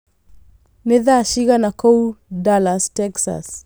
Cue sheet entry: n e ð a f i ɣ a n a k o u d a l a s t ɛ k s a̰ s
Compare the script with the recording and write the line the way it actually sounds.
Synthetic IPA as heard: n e ð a ʃ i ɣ a n a k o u d a l a s t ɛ k s a̰ s